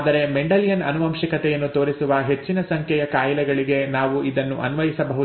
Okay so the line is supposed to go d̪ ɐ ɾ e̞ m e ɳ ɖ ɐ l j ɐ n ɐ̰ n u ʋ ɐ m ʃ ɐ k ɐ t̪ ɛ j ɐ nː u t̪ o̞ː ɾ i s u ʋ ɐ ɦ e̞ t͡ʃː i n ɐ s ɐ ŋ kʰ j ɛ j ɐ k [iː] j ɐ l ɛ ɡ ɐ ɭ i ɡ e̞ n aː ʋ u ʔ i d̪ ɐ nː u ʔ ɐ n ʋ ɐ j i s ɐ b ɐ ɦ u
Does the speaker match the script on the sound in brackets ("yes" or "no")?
no